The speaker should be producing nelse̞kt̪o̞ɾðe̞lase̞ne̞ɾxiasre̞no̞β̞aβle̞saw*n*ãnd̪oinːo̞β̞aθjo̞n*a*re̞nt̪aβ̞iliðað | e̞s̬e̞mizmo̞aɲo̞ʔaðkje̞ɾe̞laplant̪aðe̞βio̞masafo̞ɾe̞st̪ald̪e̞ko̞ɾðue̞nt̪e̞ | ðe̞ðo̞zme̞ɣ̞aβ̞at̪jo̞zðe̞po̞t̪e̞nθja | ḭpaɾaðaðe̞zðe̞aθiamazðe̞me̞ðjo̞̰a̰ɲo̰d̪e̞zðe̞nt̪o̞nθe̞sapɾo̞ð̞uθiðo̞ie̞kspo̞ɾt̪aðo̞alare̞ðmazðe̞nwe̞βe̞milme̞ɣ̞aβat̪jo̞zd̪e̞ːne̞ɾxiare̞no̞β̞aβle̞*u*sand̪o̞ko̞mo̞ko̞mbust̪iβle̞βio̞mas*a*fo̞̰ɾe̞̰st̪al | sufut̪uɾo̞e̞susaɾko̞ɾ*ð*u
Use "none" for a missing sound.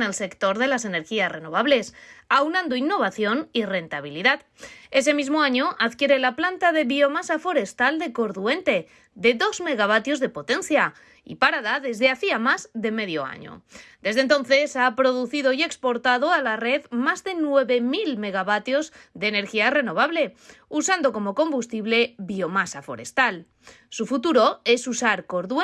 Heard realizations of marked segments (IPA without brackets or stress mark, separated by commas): n, i, u, a, ð